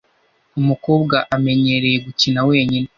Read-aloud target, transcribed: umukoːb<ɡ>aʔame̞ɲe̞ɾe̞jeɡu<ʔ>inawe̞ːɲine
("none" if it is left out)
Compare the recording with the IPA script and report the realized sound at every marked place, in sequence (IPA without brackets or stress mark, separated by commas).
ɡ, c